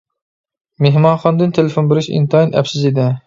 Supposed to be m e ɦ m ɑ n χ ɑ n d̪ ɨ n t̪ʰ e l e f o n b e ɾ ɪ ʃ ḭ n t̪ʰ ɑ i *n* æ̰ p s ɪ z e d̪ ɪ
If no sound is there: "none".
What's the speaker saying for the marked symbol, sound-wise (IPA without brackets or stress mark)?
n